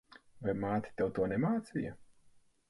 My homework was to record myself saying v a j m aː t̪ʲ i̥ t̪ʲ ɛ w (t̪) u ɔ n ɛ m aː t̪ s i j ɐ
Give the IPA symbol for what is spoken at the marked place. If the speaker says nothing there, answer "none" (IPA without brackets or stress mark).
t̪